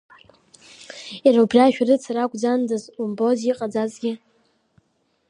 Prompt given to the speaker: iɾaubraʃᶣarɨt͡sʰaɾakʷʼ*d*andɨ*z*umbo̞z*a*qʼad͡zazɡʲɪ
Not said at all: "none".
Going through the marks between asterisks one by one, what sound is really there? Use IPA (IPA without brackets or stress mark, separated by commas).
d͡z, z, i